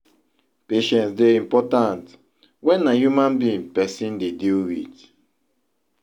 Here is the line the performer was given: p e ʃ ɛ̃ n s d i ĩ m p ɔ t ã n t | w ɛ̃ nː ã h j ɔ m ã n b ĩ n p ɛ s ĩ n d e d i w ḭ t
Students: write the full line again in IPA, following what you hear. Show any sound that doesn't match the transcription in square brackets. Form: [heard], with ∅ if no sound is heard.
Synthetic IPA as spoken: p e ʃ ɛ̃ n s d [e] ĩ m p ɔ t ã n t | w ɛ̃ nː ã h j [u] m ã n b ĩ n p ɛ s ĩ n d e d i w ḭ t